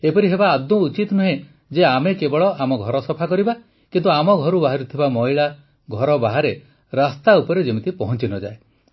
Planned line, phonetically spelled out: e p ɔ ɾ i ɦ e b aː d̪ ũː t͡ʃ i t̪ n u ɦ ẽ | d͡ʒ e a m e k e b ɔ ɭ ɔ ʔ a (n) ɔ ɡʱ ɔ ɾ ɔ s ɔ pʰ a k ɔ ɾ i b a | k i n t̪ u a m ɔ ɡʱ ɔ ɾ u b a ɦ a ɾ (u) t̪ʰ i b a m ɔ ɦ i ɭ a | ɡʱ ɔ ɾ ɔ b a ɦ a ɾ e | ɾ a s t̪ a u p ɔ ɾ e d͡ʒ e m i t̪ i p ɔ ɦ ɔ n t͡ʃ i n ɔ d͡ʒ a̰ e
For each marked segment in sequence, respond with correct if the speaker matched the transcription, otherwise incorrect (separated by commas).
incorrect, correct